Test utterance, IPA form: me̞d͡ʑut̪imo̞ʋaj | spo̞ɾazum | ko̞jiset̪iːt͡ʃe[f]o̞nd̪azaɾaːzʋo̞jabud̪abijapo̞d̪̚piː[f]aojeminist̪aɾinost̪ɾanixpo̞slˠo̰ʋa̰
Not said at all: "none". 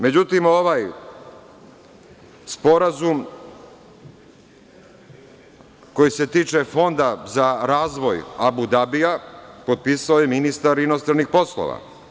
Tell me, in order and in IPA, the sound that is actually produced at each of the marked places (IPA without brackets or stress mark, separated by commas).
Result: f, s